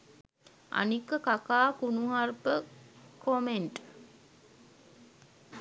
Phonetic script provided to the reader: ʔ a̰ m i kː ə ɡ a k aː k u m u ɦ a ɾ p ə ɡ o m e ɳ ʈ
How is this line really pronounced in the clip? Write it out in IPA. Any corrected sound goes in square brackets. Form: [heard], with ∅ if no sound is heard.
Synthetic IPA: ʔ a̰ [n] i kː ə [k] a k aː k u [n] u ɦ a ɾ p ə [k] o m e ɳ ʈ